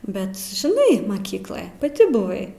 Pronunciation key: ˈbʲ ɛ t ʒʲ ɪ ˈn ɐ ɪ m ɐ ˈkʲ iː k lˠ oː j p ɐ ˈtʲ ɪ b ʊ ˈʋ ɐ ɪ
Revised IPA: ˈbʲ ɛ t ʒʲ ɪ ˈn ɐ ɪ m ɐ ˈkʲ iː k lˠ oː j p ɐ ˈtʲ ɪ b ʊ ˈʋ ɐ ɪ